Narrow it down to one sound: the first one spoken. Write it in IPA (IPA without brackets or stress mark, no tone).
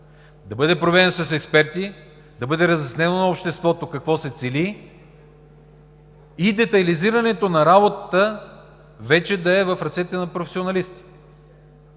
d̪